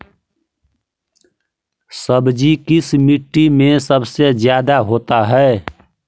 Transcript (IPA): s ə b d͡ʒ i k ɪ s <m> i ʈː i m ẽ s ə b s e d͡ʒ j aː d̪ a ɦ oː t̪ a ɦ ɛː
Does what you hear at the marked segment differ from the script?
no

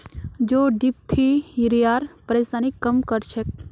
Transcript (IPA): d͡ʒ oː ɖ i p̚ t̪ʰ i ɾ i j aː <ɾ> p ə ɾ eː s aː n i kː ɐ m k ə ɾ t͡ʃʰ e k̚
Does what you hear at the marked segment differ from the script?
no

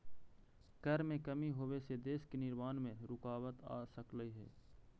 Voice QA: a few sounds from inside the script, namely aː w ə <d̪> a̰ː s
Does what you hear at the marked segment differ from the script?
yes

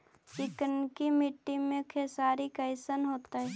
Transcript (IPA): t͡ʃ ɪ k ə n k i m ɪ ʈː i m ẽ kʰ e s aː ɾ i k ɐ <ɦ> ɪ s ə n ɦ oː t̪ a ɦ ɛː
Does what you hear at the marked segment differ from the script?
yes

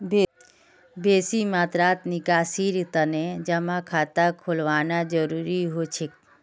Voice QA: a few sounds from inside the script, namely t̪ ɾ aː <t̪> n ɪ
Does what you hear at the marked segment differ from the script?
no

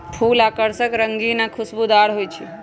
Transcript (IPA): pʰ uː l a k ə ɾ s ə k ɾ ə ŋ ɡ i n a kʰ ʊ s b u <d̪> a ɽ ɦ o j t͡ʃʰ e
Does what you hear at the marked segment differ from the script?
no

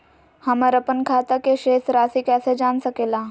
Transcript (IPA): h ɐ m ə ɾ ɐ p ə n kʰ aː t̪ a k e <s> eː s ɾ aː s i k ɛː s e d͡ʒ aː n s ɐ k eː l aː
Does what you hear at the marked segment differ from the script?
yes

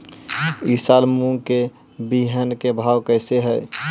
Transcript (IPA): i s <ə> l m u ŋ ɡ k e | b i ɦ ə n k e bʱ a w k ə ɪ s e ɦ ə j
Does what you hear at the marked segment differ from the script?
yes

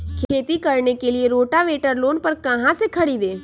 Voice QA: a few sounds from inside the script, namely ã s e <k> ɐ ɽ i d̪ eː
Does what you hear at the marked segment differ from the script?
yes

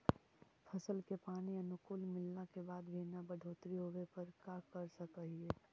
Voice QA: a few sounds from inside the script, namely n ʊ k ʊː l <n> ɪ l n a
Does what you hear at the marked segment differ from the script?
yes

